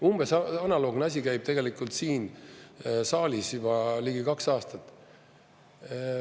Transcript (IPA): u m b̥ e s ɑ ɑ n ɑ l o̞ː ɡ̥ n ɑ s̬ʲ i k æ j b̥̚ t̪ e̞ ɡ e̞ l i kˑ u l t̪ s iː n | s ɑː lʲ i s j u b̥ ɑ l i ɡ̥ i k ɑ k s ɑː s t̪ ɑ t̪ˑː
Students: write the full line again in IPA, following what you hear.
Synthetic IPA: u m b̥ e s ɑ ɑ n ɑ l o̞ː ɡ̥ n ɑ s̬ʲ i k æ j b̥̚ t̪ e̞ ɡ e̞ l i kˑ u l t̪ s iː n | s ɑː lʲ i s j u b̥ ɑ l i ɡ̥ i k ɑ k s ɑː s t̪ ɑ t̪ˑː